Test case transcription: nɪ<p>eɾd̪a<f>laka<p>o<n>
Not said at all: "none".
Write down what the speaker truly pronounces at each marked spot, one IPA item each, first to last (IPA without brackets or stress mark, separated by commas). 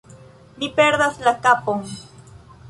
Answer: p, s, p, ŋ